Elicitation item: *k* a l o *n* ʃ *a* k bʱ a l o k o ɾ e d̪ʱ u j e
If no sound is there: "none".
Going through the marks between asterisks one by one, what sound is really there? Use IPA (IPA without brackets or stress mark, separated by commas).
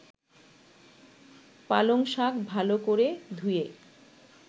p, ŋ, a